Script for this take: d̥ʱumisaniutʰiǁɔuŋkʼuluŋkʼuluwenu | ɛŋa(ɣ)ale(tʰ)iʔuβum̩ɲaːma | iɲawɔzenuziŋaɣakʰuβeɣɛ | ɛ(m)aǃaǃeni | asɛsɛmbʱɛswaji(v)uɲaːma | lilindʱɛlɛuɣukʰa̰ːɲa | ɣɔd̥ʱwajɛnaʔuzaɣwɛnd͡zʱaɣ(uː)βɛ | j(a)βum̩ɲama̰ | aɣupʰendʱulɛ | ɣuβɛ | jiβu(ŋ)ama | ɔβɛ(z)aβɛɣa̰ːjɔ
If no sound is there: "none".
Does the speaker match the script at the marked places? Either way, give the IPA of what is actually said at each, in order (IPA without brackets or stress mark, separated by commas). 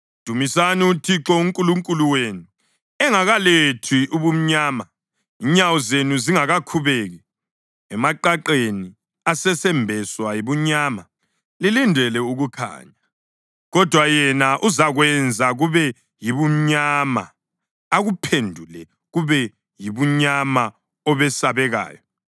ɣ, tʰ, m, β, u, i, ɲ, s